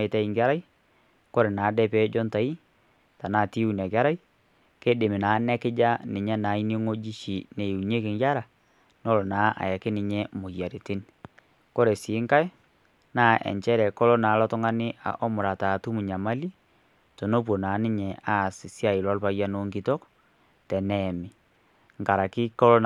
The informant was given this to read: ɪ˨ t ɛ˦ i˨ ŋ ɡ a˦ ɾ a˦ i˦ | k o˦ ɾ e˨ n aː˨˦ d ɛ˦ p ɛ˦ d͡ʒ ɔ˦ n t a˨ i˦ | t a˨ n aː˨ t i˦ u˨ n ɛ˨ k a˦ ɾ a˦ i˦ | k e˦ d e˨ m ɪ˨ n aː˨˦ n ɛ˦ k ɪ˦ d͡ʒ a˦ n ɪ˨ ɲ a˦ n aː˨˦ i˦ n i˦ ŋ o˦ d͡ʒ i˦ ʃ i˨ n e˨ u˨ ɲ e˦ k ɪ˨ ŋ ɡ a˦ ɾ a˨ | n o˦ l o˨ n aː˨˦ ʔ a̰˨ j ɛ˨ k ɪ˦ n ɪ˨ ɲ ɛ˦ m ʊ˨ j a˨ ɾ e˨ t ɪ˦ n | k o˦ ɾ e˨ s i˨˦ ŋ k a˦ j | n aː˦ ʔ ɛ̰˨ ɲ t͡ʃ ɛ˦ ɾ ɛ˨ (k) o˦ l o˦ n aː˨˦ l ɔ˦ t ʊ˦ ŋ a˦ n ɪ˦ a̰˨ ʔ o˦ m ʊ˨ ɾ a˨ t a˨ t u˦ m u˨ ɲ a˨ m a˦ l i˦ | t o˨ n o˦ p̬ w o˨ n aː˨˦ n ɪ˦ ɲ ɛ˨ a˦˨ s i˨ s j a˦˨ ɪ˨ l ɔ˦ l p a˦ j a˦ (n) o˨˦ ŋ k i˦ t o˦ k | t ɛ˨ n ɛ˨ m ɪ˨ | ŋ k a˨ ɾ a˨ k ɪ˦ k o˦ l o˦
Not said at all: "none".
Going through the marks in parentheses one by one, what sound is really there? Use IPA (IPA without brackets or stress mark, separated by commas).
k, n